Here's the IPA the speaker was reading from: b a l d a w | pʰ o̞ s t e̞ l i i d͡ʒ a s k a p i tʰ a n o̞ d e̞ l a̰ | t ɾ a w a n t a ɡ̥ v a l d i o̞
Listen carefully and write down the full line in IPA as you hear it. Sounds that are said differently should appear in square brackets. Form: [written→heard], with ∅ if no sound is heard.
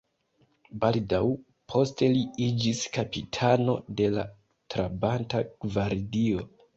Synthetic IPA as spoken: b a l d a w | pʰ o̞ s t e̞ l i i d͡ʒ [a→i] s k a p i tʰ a n o̞ d e̞ l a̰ | t ɾ a [w→b] a n t a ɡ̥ v a [l→ɾ] d i o̞